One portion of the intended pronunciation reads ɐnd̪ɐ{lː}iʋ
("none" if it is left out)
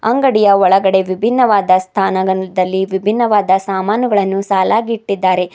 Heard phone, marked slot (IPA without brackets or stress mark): lː